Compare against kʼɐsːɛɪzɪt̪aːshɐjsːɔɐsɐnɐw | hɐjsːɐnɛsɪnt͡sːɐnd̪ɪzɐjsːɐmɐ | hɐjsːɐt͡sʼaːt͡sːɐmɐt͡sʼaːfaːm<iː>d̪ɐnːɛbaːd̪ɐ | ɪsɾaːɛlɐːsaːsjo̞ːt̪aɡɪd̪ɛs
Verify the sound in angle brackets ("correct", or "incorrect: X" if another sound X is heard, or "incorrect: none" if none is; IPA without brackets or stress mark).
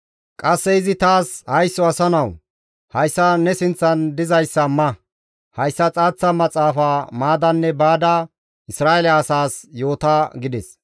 incorrect: aː